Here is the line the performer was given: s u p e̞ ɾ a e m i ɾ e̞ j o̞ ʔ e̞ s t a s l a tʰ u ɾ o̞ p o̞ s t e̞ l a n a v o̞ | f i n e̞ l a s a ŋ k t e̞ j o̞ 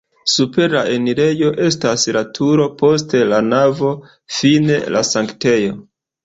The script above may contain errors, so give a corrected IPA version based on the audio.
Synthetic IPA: s u p e̞ ɾ a e n i ɾ e̞ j o̞ ʔ e̞ s t a s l a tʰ u ɾ o̞ p o̞ s t e̞ l a n a v o̞ | f i n e̞ l a s a ŋ k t e̞ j o̞